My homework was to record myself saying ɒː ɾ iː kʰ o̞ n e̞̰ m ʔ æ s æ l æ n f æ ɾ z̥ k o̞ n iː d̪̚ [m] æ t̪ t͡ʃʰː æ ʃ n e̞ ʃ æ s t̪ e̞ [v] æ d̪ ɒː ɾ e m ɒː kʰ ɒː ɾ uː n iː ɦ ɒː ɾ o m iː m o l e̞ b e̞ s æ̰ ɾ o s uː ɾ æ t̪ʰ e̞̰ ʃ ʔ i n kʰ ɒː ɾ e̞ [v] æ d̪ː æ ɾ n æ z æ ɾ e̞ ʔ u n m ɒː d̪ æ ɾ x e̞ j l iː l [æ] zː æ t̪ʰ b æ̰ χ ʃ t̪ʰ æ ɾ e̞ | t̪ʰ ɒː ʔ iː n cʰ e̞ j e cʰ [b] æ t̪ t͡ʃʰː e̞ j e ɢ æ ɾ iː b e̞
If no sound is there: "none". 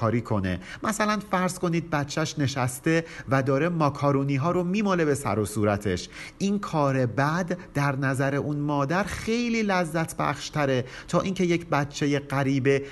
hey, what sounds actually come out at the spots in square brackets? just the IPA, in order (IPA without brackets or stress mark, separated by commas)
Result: b, v, b, æ, b